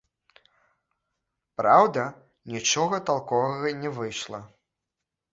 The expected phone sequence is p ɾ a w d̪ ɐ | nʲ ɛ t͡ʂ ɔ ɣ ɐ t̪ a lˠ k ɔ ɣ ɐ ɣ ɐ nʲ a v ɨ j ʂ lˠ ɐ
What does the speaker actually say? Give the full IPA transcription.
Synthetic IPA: p ɾ a w d̪ ɐ | nʲ i t͡ʂ ɔ ɣ ɐ t̪ a lˠ k ɔ v ɐ ɣ ɐ nʲ ɛ v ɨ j ʂ lˠ ɐ